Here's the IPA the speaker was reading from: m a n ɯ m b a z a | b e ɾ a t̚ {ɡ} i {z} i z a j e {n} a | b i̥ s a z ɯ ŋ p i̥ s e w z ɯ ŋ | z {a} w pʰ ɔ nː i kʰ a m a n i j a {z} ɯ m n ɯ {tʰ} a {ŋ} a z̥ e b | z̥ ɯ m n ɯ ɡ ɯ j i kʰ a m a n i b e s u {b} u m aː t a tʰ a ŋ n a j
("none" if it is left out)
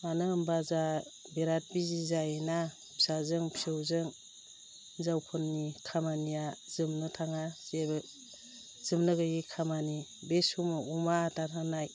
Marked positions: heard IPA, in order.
b, z, n, a, z, tʰ, ŋ, m

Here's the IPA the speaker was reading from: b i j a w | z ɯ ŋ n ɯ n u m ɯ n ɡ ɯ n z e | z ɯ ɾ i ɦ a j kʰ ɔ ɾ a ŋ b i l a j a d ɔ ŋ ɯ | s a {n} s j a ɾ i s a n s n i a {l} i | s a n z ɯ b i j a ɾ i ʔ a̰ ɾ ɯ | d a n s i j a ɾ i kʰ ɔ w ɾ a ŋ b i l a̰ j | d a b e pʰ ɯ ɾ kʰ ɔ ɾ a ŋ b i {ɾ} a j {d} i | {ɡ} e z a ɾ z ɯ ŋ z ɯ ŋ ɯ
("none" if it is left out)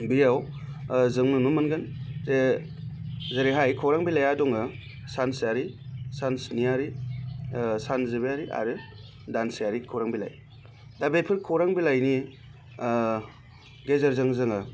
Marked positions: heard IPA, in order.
n, ɾ, l, n, ɡ

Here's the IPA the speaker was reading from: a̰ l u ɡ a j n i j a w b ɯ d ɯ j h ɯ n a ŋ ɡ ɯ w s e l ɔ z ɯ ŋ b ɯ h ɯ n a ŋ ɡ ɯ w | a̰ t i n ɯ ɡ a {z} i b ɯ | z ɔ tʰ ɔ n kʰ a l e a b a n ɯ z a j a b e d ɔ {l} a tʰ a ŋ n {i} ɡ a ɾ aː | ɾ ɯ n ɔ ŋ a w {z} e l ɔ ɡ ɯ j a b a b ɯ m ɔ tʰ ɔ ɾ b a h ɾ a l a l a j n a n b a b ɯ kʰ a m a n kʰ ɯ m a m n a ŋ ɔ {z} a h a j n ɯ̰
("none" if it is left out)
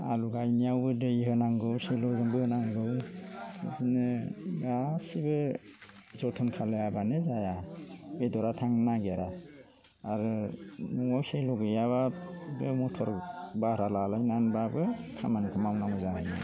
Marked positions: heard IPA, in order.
s, ɾ, a, s, z

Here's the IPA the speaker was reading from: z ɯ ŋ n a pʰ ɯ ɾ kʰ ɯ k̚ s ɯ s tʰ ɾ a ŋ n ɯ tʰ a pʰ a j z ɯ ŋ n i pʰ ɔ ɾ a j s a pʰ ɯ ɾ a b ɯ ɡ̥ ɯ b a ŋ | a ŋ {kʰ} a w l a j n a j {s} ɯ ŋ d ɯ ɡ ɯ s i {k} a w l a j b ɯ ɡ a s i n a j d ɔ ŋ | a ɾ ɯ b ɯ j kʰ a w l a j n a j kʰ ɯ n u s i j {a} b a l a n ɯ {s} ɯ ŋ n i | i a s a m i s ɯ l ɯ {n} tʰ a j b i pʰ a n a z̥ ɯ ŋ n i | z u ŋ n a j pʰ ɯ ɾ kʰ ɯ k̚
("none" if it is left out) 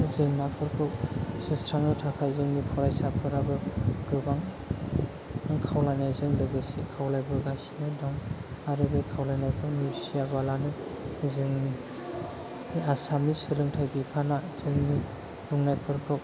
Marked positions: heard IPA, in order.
kʰ, z, kʰ, a, z, ŋ

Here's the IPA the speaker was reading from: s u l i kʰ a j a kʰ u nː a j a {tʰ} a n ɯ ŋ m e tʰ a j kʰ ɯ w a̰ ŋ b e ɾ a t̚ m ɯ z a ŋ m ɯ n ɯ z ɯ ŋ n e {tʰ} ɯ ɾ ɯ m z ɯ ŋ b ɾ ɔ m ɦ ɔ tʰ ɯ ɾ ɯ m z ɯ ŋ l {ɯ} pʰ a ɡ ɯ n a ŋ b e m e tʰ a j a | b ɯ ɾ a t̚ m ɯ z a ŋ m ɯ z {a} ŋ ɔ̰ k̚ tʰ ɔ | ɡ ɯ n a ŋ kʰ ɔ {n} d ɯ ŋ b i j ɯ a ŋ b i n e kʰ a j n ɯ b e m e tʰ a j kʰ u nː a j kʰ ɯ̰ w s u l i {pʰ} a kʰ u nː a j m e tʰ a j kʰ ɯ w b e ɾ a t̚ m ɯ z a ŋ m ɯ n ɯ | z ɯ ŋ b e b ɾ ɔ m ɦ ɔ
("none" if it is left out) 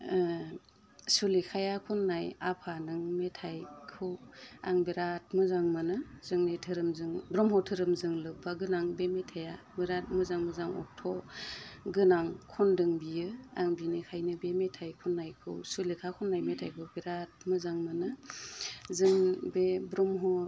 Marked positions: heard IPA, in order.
pʰ, tʰ, ɯ, a, n, kʰ

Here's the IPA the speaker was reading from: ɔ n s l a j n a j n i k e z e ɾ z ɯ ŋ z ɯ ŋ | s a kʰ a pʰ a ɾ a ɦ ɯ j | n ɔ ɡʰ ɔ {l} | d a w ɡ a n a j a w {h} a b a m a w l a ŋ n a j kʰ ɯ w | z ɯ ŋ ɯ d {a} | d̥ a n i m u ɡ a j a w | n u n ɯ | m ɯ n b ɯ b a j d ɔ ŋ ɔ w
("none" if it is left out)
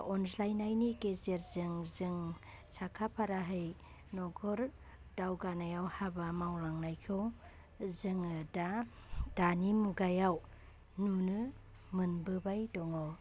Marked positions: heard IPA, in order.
ɾ, h, a

